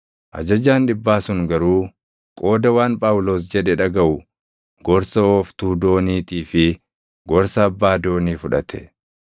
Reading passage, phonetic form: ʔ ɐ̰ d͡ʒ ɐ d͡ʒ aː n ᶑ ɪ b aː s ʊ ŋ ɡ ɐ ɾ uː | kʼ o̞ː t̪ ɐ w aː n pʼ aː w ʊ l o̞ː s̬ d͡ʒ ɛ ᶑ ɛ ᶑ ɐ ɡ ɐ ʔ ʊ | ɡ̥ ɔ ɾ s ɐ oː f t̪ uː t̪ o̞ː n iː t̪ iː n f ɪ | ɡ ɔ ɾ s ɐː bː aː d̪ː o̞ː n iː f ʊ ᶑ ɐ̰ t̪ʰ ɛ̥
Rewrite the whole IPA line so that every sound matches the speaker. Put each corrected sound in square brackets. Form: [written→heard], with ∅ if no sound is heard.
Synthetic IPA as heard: ʔ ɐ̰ d͡ʒ ɐ d͡ʒ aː n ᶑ ɪ [b→bː] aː s ʊ ŋ ɡ ɐ ɾ uː | kʼ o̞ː [t̪→d̪] ɐ w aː n pʼ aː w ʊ l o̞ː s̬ d͡ʒ ɛ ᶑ ɛ ᶑ ɐ ɡ ɐ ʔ ʊ | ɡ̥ ɔ ɾ s ɐ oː f t̪ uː [t̪→d̪] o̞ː n iː t̪ iː [n→∅] f ɪ | ɡ ɔ ɾ s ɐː bː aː [d̪ː→d̪] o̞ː n iː f ʊ ᶑ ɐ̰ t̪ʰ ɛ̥